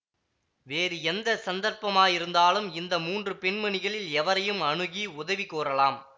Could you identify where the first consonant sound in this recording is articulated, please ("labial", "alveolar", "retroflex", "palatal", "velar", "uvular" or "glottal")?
labial